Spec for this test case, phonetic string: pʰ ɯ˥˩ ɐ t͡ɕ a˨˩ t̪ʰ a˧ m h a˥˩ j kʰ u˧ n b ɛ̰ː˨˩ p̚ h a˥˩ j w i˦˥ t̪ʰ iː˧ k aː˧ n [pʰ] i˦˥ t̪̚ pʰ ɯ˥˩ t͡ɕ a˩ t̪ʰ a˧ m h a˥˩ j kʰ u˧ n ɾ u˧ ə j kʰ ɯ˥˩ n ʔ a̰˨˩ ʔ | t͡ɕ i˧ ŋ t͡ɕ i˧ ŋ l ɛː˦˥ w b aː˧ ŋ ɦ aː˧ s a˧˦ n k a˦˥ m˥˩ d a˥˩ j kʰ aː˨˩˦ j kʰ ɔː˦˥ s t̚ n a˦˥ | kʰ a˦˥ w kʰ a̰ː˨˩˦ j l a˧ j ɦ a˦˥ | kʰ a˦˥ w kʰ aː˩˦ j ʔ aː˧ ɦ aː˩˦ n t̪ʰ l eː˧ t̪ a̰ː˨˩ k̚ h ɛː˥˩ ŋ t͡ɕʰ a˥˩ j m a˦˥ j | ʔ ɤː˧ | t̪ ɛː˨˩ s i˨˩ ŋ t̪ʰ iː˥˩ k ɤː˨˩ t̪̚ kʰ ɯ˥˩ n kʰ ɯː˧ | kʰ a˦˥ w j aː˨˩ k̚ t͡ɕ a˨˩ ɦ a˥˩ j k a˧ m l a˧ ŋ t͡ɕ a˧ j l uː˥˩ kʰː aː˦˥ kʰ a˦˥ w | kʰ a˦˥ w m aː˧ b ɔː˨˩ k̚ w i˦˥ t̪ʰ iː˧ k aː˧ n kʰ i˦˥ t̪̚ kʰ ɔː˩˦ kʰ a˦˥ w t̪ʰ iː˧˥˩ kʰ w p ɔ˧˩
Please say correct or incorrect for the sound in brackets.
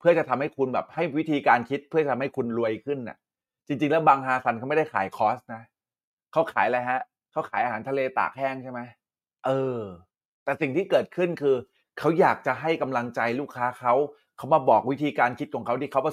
incorrect